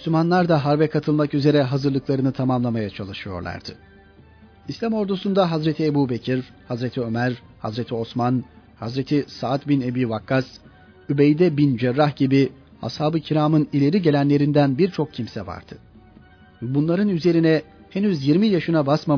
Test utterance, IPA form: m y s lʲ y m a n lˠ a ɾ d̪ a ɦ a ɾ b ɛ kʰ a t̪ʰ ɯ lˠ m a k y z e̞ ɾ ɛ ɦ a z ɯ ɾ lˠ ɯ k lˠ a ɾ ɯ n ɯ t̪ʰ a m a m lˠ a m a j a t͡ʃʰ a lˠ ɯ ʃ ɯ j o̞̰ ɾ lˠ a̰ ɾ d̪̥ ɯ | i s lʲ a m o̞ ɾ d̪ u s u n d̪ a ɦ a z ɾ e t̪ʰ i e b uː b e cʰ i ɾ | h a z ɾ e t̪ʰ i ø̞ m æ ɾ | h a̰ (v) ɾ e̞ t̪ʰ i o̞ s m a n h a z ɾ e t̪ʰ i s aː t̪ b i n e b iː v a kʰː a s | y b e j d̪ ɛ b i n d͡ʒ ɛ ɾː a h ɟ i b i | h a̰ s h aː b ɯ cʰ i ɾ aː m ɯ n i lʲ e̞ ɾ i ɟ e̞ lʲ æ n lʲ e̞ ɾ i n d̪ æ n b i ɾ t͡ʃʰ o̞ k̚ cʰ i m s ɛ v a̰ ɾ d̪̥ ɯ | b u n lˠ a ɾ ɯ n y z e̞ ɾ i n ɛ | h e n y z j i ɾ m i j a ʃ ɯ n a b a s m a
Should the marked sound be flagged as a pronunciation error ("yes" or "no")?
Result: yes